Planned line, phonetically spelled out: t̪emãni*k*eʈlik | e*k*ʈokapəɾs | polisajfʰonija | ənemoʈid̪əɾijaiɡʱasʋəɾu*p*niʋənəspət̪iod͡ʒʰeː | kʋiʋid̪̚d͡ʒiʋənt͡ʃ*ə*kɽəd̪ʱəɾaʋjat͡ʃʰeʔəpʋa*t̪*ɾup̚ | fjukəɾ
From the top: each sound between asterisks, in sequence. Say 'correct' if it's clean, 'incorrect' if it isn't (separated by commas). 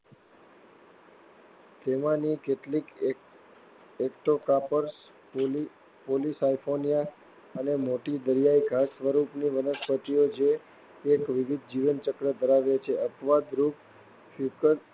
correct, correct, correct, correct, incorrect